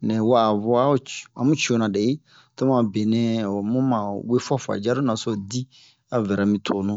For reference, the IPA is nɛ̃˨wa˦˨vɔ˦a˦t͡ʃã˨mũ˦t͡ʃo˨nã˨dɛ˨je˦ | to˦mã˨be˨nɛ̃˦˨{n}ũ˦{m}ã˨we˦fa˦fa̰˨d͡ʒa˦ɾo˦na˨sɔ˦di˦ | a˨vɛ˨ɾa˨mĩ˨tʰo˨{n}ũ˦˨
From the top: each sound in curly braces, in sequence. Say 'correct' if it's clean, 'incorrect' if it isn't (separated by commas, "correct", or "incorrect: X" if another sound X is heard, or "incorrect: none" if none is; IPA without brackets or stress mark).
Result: incorrect: m, correct, correct